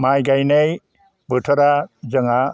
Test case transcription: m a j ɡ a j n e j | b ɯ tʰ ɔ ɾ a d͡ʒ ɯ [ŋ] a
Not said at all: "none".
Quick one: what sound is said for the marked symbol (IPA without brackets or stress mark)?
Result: ŋ